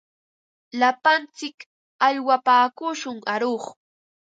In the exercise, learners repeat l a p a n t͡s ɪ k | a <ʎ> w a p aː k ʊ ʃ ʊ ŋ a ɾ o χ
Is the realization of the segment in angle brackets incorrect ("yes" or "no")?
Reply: no